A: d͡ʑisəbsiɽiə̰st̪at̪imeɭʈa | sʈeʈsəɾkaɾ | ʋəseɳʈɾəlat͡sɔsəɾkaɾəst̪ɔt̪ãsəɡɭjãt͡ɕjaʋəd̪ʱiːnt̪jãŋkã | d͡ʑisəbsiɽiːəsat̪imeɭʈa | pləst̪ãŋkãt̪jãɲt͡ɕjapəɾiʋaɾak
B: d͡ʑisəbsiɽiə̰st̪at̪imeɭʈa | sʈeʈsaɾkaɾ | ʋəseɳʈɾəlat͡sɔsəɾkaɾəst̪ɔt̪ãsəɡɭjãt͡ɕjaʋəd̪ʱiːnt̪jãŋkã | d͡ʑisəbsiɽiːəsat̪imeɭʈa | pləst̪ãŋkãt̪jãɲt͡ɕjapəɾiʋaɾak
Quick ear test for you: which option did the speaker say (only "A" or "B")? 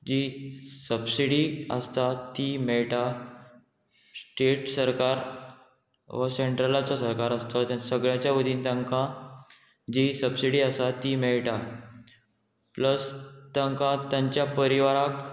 A